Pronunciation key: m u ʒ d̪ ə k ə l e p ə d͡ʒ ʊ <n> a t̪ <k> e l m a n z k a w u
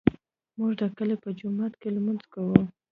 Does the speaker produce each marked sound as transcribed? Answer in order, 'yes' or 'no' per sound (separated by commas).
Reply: no, yes